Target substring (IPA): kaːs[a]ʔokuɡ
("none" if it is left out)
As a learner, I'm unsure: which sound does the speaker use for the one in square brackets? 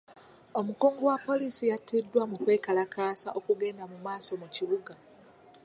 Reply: a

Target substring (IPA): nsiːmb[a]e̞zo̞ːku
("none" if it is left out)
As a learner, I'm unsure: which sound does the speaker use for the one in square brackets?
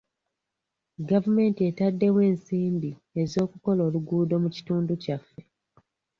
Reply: i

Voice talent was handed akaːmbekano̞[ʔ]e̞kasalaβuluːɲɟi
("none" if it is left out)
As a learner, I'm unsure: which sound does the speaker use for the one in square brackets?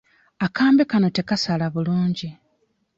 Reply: t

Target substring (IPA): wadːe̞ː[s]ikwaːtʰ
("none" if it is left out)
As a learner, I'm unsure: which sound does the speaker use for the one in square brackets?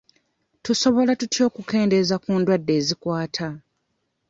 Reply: z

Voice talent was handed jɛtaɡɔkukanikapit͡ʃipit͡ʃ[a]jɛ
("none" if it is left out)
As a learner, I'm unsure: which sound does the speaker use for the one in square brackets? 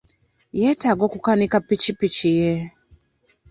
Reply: i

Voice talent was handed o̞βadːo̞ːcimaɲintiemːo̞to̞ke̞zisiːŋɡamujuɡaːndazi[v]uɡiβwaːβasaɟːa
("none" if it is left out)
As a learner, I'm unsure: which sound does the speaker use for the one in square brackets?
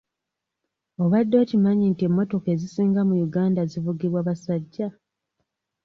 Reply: v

